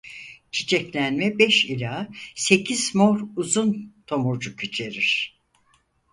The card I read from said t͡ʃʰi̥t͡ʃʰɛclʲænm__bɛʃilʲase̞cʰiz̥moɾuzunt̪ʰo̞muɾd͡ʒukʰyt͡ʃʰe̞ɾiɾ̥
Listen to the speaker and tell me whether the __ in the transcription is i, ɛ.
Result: ɛ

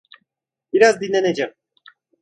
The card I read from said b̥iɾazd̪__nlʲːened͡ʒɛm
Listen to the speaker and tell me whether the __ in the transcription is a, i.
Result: i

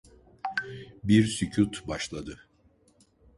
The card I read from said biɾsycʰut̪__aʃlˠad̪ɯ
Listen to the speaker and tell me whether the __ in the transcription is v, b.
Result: b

